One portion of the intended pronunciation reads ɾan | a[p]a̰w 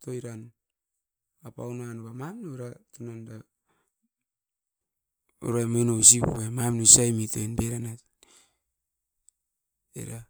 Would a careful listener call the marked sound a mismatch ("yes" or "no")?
no